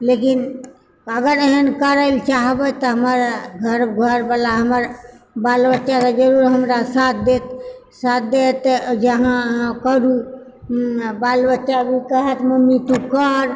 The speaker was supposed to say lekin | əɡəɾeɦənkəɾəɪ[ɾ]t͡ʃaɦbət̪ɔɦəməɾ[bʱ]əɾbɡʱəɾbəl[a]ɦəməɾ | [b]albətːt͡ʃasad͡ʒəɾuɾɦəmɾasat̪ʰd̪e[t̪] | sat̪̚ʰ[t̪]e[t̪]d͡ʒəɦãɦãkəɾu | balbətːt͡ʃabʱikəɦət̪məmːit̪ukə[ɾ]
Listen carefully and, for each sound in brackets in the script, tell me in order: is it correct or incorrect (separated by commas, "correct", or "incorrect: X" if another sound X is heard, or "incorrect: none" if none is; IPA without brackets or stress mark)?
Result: incorrect: l, incorrect: ɡʱ, correct, correct, correct, incorrect: d̪, correct, correct